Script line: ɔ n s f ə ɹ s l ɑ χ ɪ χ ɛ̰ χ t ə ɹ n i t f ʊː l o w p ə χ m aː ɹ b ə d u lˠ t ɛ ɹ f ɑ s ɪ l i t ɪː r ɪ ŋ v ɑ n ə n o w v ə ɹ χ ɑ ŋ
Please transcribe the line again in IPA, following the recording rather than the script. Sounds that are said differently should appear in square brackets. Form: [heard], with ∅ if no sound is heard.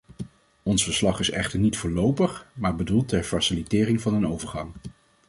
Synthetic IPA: ɔ n s f ə ɹ s l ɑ χ ɪ [s] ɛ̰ χ t ə ɹ n i t f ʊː l o w p ə χ m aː ɹ b ə d u lˠ t ɛ ɹ f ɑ s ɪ l i t ɪː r ɪ ŋ v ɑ n ə n o w v ə ɹ χ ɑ ŋ

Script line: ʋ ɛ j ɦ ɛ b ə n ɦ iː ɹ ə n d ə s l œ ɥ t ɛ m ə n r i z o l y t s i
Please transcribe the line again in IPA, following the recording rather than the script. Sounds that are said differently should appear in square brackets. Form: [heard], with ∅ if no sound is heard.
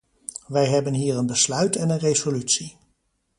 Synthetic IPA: ʋ ɛ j ɦ ɛ b ə n ɦ iː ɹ ə n [b] ə s l œ ɥ t ɛ [n] ə n r [e] z o l y t s i

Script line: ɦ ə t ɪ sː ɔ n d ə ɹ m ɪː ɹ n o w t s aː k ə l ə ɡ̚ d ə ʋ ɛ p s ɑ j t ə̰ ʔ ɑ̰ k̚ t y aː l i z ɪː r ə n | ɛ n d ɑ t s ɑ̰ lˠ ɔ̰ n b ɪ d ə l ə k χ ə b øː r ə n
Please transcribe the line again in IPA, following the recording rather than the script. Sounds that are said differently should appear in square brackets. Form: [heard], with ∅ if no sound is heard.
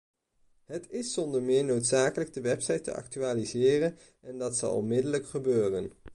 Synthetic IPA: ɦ ə t ɪ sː ɔ n d ə ɹ m ɪː ɹ n o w t s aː k ə l ə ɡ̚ d ə ʋ ɛ p s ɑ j t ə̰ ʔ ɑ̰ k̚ t y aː l i z ɪː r ə n | ɛ n d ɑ t s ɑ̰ lˠ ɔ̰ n [m] ɪ d ə l ə k χ ə b øː r ə n

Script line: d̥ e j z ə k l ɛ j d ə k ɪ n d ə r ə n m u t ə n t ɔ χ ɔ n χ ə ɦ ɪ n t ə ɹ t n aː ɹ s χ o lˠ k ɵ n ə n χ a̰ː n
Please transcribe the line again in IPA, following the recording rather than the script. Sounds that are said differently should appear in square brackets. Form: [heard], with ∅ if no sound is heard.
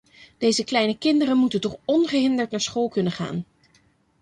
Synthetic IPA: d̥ e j z ə k l ɛ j [n] ə k ɪ n d ə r ə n m u t ə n t ɔ χ ɔ n χ ə ɦ ɪ n [d] ə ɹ t n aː ɹ s χ o lˠ k ɵ n ə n χ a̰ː n

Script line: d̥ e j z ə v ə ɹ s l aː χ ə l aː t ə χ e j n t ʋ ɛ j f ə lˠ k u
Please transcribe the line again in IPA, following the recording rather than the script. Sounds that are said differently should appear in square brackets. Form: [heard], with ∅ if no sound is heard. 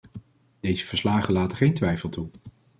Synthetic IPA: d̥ e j z ə v ə ɹ s l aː χ ə l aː t ə χ e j n t ʋ ɛ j f ə lˠ [t] u

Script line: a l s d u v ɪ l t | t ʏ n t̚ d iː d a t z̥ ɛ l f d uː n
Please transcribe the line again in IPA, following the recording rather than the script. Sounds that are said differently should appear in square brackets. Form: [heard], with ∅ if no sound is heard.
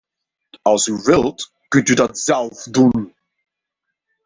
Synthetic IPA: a l s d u v ɪ l t | [k] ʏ n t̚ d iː d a t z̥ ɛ l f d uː n

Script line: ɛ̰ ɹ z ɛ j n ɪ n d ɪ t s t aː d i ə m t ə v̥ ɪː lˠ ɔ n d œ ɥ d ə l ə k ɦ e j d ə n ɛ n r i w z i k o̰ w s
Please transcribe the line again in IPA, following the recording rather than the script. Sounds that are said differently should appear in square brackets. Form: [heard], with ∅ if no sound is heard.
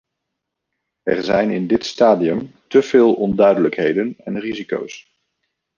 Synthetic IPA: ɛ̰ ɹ z ɛ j n ɪ n d ɪ t s t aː d i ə m t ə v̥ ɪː lˠ ɔ n d œ ɥ d ə l ə k ɦ e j d ə n ɛ n r i [∅] z i k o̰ w s

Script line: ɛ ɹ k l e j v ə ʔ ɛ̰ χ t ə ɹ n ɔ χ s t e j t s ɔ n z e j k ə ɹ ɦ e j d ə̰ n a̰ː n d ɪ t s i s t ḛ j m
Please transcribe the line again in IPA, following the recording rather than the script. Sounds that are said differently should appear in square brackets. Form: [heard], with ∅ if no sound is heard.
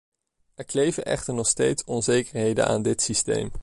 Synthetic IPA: ɛ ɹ k l e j v ə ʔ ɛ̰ χ t ə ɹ n ɔ χ s t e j t s ɔ n z e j k ə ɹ ɦ e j d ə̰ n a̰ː n d ɪ t s i s t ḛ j m

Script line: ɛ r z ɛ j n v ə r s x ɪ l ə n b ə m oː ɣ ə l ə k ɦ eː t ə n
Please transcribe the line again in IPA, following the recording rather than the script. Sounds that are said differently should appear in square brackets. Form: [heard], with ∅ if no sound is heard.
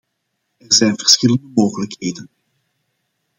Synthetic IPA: ɛ r z ɛ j n v ə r s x ɪ l ə n [d] ə m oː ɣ ə l ə k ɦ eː [d] ə n

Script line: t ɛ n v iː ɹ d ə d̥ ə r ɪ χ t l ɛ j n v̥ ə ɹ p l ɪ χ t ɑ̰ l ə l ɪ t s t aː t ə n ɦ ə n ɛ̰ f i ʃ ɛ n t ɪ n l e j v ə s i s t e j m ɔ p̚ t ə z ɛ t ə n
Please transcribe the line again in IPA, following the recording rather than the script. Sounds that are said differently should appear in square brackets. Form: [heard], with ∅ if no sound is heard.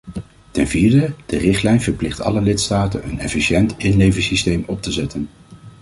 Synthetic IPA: t ɛ n v iː ɹ d ə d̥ ə r ɪ χ t l ɛ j n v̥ ə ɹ p l ɪ χ t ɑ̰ l ə l ɪ t s t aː t ə n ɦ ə n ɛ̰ f i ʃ ɛ n t ɪ n l e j v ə s i s t e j m ɔ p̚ t ə z ɛ t ə n

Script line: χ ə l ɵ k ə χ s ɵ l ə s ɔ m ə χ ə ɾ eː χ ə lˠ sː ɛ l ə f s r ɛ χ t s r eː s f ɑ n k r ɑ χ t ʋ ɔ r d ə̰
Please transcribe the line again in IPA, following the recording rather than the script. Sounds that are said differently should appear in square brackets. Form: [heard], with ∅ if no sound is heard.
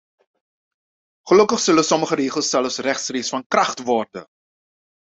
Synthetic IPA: χ ə l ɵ k ə χ s ɵ l ə s ɔ m ə χ ə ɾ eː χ ə lˠ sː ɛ l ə f s r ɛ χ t s r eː s f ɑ n k r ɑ χ t ʋ ɔ r d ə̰

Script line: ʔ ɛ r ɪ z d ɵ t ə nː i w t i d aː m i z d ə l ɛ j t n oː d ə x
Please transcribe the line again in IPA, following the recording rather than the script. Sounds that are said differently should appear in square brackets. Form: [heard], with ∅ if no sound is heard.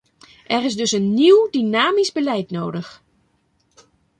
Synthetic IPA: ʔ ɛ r ɪ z d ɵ [s] ə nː i w [d] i [n] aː m i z [b] ə l ɛ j t n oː d ə x

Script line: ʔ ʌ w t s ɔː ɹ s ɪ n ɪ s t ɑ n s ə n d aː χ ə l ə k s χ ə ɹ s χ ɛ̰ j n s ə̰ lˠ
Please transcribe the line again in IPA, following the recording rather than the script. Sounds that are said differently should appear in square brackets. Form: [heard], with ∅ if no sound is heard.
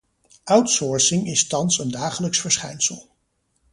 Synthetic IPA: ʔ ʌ w t s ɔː ɹ s ɪ [ŋ] ɪ s t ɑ n s ə n d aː χ ə l ə k s [f] ə ɹ s χ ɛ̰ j n s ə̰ lˠ

